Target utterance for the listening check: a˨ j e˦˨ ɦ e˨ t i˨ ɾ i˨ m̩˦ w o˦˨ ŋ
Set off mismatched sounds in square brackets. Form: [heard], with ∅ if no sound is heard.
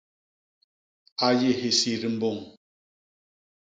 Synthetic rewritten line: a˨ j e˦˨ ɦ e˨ [s] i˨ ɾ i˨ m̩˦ [b] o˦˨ ŋ